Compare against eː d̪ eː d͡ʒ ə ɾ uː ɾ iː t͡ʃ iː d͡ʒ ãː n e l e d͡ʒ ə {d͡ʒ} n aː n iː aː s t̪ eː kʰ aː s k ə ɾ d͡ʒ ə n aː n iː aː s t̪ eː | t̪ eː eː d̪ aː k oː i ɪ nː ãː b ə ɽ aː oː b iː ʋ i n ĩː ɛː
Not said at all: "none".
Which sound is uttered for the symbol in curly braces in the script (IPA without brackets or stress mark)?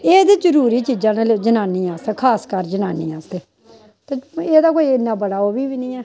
none